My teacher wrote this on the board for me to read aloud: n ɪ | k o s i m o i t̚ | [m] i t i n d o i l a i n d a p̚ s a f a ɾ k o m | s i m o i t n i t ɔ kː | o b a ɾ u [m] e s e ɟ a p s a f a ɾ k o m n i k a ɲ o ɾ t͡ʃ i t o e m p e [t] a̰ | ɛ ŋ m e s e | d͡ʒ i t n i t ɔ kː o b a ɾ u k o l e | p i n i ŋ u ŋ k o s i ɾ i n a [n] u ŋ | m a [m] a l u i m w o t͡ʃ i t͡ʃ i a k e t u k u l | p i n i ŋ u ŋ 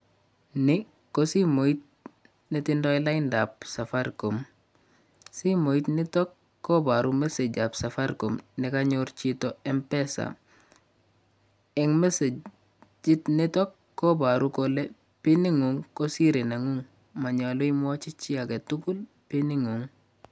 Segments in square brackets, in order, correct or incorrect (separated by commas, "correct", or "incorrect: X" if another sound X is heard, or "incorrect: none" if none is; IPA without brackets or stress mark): incorrect: n, correct, incorrect: s, incorrect: ŋ, incorrect: ɲ